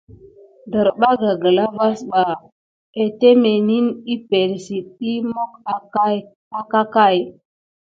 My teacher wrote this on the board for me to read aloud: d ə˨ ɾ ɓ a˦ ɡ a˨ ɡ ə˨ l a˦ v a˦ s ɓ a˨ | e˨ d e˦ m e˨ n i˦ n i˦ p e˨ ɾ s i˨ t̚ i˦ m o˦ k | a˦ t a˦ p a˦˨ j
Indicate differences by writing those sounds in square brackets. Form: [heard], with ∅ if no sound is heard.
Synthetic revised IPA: d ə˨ ɾ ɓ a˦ ɡ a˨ ɡ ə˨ l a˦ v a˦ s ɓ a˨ | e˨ [t] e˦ m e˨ n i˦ n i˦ p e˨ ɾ s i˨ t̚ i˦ m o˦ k | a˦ [k] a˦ [k] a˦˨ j

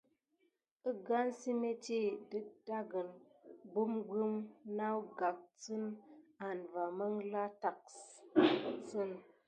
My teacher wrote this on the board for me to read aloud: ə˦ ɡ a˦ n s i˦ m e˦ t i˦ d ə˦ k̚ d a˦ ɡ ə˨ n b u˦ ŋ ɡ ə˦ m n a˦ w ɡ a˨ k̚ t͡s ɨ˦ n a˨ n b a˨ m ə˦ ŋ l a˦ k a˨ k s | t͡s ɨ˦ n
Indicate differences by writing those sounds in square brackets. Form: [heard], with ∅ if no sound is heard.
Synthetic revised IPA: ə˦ ɡ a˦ n s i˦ m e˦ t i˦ d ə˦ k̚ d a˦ ɡ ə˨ n b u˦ [m] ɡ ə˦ m n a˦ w ɡ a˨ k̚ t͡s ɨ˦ n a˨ n [v] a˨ m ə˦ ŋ l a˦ [t] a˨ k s | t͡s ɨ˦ n

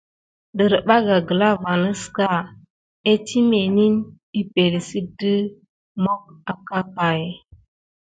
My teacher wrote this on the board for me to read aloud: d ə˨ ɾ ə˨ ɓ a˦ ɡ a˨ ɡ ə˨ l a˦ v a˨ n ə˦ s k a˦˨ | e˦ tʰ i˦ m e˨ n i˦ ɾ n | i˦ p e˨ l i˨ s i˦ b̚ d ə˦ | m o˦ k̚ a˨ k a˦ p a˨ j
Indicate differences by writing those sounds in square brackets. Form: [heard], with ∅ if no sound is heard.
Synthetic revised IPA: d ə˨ ɾ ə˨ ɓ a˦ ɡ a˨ ɡ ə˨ l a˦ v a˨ n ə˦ s k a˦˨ | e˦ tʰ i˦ m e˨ n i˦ [∅] n | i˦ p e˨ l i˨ s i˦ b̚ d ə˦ | m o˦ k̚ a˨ k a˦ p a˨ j

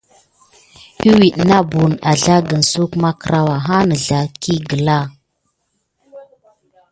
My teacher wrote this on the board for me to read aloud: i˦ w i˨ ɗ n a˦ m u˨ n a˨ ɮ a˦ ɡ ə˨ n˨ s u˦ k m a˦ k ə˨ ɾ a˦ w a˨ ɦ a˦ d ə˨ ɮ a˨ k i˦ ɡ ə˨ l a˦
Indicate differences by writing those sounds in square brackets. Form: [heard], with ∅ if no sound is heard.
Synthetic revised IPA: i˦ w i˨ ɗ n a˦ [b] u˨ n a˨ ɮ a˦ ɡ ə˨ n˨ s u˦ k m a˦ k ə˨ ɾ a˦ w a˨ ɦ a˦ [n] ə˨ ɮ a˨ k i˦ ɡ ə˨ l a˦

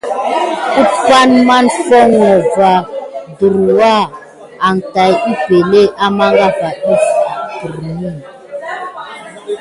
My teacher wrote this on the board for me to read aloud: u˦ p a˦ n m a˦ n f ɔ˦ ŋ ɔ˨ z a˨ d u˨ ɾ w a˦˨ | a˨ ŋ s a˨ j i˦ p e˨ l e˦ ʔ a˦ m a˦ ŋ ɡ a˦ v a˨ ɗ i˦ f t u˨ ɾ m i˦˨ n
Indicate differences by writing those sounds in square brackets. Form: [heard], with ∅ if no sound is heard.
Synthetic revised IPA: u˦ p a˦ n m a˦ n f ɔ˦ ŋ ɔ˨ [v] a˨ d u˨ ɾ w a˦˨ | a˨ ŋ [t] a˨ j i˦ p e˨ l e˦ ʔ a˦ m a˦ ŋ ɡ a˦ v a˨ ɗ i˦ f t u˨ ɾ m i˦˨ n

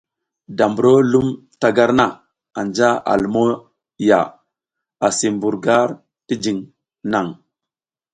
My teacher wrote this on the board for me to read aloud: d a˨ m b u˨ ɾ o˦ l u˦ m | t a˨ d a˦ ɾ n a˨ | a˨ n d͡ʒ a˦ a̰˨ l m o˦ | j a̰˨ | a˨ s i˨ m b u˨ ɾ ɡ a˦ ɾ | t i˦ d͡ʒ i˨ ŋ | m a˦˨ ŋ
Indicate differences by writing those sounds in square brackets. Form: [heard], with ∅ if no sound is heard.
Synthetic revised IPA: d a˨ m b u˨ ɾ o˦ l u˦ m | t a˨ [ɡ] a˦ ɾ n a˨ | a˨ n d͡ʒ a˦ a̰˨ l m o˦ | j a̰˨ | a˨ s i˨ m b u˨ ɾ ɡ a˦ ɾ | t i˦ d͡ʒ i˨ ŋ | [n] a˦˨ ŋ

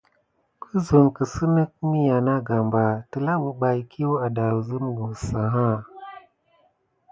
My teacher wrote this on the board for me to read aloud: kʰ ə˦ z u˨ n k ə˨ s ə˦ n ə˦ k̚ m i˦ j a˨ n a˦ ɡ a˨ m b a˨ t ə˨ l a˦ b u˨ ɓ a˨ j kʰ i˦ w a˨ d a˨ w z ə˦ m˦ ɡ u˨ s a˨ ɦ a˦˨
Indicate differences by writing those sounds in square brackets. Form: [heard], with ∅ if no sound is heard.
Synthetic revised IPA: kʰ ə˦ z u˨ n k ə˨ s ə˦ n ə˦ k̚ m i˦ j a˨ n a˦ ɡ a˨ m b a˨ t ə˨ l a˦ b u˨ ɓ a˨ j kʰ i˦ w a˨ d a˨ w z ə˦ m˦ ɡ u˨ s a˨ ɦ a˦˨

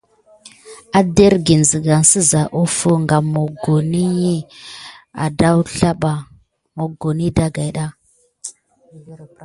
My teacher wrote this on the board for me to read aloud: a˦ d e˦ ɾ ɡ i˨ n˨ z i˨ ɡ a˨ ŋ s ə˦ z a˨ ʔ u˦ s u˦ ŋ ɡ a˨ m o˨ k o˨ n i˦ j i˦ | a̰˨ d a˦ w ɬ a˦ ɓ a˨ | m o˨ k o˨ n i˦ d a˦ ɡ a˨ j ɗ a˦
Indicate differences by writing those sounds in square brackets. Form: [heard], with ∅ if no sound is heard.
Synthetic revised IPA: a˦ d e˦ ɾ ɡ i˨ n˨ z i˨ ɡ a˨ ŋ s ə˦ z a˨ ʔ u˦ [f] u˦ ŋ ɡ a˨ m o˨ [ɡ] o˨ n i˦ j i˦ | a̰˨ d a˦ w ɬ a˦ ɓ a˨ | m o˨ [ɡ] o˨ n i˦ d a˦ ɡ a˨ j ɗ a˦

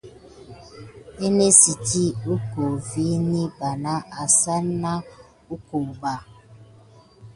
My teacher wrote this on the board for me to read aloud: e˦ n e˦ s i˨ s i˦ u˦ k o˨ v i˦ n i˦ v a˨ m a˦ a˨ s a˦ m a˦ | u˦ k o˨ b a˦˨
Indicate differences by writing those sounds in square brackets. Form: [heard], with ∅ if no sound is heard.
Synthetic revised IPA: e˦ n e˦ s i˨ [t] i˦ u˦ k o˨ v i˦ n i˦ [b] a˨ [n] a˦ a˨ s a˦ [n] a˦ | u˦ k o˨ b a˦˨

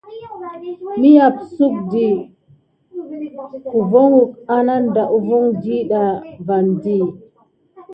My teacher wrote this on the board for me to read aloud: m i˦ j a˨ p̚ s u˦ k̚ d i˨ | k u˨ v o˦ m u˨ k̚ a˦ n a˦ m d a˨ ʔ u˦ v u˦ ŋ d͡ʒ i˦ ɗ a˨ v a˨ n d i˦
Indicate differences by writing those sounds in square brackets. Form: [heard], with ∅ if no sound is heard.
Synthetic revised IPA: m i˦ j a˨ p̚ s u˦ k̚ d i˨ | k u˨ v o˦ [ŋ] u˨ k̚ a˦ n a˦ [n] d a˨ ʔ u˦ v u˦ ŋ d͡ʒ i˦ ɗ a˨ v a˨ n d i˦

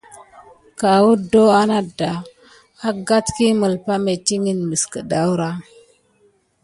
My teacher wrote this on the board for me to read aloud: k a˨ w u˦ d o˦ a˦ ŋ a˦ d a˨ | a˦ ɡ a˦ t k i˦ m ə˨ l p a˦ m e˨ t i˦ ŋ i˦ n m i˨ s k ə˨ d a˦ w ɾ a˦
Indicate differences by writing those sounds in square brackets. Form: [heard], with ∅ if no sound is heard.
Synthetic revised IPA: k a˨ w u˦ d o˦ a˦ [n] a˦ d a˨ | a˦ ɡ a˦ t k i˦ m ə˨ l p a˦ m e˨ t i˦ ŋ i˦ n m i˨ s k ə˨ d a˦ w ɾ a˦

